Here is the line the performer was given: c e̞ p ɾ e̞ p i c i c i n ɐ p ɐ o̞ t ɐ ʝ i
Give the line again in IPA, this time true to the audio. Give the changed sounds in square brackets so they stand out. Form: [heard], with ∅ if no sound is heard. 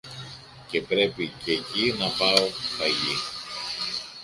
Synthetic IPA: c e̞ p ɾ e̞ p i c [e] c i n ɐ p ɐ o̞ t ɐ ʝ i